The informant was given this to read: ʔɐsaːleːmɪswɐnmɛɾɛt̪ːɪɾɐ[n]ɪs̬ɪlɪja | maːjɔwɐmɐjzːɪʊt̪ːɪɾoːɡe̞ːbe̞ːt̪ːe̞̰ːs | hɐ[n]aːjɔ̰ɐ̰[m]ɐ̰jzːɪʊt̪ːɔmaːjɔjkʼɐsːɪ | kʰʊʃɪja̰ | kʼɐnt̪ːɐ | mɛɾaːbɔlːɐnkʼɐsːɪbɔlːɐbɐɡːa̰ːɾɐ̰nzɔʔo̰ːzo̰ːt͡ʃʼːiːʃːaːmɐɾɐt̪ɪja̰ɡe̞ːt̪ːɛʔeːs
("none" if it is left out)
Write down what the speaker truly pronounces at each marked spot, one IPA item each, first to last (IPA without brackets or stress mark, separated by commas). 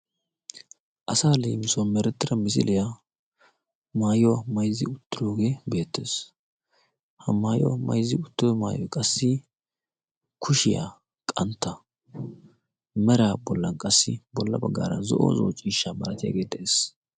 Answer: m, m, m